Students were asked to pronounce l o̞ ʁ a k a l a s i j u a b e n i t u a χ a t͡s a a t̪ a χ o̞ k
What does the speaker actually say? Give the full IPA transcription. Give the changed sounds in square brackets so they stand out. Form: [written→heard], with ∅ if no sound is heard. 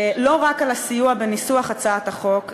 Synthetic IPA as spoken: l o̞ ʁ a k a l a s i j u a b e n i [t→s] u a χ a t͡s a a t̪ a χ o̞ k